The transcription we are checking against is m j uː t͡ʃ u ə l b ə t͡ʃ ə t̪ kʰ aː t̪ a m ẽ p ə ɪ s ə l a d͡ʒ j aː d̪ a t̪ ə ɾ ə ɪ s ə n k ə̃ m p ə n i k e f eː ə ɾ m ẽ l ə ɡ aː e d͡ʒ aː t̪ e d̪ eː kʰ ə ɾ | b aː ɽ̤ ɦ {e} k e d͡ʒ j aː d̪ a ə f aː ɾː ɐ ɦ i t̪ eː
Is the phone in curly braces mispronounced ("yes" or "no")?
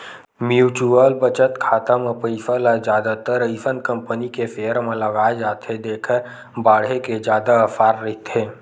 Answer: no